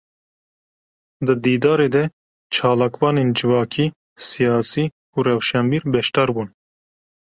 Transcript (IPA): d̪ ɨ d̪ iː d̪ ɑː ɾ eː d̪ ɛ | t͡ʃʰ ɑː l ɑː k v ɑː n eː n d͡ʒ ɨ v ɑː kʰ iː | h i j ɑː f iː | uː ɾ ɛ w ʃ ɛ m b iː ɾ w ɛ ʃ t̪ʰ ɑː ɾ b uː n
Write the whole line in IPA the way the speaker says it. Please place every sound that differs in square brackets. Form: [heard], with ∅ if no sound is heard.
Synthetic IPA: d̪ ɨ d̪ iː d̪ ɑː ɾ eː d̪ ɛ | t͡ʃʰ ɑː l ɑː k v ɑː n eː n d͡ʒ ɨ v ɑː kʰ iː | [s] i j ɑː [s] iː | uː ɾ ɛ w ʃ ɛ m b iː ɾ [b] ɛ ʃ [t̪] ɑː ɾ b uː n

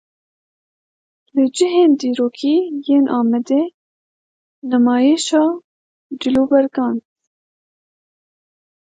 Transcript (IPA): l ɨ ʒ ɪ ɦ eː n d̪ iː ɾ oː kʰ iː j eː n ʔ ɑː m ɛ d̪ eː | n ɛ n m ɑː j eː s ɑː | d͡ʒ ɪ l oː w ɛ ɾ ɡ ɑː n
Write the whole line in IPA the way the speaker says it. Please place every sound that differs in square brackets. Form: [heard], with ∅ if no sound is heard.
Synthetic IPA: l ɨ [d͡ʒ] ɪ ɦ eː n d̪ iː ɾ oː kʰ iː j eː n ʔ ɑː m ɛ d̪ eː | n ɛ [∅] m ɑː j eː [ʃ] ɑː | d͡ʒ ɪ l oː [b] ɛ ɾ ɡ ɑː n

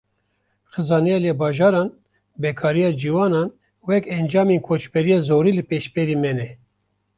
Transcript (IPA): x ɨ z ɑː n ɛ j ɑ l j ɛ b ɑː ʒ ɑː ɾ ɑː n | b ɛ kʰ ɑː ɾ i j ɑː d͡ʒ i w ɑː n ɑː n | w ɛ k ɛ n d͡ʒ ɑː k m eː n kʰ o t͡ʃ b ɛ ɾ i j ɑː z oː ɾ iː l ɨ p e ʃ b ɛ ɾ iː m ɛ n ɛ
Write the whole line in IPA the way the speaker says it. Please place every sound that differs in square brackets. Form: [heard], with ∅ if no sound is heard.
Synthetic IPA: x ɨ z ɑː n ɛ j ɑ l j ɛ b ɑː ʒ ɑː ɾ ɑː n | b ɛ kʰ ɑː ɾ i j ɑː d͡ʒ i w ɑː n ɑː n | w ɛ k ɛ n d͡ʒ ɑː [∅] m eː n kʰ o t͡ʃ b ɛ ɾ i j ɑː z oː ɾ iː l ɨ p e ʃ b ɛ ɾ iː m ɛ n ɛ

